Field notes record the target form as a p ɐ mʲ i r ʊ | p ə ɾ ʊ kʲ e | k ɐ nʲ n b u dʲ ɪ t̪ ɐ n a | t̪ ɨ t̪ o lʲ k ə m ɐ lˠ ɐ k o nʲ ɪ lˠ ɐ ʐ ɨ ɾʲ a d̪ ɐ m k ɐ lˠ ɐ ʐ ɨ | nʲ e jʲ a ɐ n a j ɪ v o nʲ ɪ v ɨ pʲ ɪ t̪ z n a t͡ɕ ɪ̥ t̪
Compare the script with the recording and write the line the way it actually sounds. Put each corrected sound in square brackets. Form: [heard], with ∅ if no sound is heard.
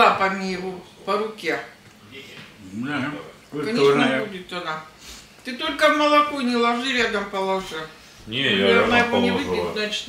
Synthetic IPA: a p ɐ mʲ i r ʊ | p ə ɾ ʊ kʲ e | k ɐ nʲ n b u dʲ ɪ t̪ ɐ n a | t̪ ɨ t̪ o lʲ k ə m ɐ lˠ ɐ k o nʲ ɪ lˠ ɐ ʐ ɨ ɾʲ a d̪ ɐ m [p] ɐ lˠ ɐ ʐ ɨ | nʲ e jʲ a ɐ n a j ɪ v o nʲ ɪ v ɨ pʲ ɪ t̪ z n a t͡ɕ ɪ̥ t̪